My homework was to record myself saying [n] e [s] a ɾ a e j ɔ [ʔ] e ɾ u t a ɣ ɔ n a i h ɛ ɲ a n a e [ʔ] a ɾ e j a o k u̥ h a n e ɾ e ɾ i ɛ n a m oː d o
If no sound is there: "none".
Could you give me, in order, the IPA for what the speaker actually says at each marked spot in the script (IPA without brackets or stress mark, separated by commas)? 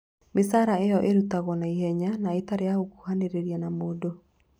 m, s, ʔ, t